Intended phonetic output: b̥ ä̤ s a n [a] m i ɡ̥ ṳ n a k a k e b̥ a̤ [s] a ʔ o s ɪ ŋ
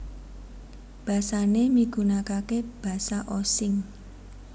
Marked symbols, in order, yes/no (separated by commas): no, yes